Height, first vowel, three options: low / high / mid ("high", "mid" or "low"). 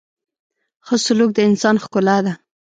mid